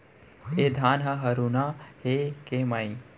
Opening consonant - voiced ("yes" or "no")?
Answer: yes